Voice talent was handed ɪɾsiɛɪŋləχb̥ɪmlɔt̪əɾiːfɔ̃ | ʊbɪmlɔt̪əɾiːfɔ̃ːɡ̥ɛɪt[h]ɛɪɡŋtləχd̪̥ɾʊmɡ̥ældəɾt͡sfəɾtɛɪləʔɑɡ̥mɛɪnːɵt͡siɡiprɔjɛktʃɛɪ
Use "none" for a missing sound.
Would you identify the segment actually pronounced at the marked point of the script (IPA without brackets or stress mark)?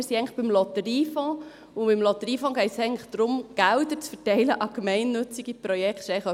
s